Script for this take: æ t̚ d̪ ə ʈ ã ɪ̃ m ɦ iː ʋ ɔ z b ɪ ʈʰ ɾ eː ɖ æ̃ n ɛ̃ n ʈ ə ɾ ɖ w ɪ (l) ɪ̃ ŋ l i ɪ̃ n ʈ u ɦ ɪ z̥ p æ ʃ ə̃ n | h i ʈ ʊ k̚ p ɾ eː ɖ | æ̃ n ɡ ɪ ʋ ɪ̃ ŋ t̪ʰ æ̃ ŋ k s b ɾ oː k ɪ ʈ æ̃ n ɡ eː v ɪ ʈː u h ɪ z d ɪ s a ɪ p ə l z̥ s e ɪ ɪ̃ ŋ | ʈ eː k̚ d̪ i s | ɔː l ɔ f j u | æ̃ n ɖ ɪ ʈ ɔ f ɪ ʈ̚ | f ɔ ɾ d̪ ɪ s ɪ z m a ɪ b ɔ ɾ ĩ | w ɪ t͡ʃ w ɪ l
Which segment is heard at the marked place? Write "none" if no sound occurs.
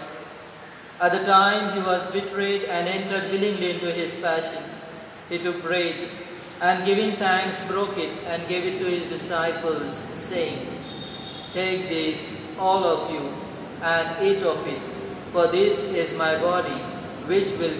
l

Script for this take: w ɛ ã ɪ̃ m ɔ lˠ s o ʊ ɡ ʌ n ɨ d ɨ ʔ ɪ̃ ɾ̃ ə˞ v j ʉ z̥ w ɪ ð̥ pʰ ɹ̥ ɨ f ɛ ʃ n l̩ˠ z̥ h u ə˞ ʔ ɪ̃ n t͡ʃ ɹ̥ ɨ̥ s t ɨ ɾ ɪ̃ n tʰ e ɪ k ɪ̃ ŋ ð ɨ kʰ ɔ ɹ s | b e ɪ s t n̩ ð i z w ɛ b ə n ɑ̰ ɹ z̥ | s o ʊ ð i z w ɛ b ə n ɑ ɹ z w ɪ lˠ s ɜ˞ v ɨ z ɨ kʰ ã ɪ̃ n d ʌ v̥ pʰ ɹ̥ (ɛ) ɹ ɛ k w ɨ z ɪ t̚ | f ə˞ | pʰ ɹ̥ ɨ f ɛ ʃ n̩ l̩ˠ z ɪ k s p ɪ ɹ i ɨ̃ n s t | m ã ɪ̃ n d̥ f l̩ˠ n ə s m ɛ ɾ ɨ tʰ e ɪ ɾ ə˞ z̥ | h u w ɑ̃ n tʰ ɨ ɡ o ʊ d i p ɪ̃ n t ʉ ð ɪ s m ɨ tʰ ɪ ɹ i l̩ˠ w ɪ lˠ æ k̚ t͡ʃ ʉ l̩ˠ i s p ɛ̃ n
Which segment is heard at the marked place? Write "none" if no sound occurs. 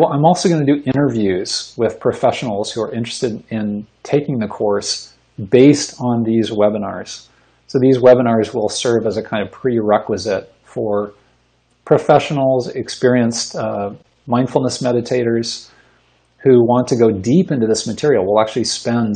i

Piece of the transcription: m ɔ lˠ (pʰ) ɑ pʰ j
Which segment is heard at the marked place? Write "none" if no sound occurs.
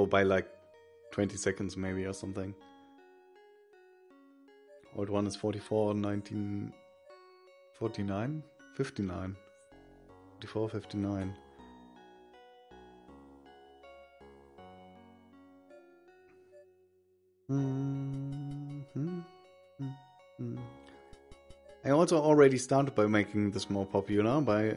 pʰ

